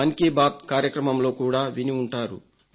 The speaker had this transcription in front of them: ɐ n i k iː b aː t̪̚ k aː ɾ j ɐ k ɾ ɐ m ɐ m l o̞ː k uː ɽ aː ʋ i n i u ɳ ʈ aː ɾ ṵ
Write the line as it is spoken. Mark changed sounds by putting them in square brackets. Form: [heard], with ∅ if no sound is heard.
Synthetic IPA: ɐ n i k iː b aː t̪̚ k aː ɾ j ɐ k ɾ ɐ m ɐ m l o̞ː k uː ɽ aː ʋ i n i u ɳ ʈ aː ɾ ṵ

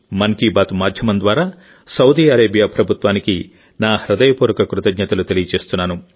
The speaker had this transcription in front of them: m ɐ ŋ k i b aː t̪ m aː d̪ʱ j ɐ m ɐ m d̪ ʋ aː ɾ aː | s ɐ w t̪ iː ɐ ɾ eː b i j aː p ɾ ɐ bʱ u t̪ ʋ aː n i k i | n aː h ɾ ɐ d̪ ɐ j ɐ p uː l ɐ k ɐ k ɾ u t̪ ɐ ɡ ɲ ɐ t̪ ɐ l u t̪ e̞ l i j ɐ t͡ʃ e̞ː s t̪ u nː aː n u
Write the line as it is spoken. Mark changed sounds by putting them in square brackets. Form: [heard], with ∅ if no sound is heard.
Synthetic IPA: m ɐ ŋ k i b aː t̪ m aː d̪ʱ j ɐ m ɐ [n] d̪ ʋ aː ɾ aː | s ɐ w [d̪] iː ɐ ɾ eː b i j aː p ɾ ɐ bʱ u t̪ ʋ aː n i k i | n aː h ɾ ɐ d̪ ɐ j ɐ p uː [ɾ] ɐ k ɐ k ɾ u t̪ ɐ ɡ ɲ ɐ t̪ ɐ l u t̪ e̞ l i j ɐ t͡ʃ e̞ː s t̪ u nː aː n u

